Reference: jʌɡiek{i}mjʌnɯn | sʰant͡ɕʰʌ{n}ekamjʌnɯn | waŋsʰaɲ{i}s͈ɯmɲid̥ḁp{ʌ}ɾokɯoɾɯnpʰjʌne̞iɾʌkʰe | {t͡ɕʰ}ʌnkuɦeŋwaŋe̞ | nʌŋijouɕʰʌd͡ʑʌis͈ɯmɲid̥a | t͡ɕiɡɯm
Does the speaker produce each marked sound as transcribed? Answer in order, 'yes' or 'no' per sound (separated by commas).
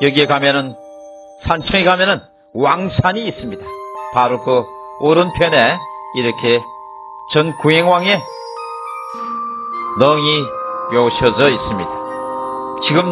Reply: no, no, no, no, no